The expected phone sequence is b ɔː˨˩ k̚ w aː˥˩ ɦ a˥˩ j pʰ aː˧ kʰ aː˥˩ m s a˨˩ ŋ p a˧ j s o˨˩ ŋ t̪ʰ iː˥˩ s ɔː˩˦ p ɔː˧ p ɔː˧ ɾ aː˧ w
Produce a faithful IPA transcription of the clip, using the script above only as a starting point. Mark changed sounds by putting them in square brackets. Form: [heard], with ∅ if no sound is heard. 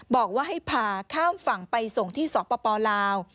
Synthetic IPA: b ɔː˨˩ k̚ w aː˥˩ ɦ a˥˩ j pʰ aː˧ kʰ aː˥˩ m [f] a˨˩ ŋ p a˧ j s o˨˩ ŋ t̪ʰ iː˥˩ s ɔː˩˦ p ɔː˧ p ɔː˧ [l] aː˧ w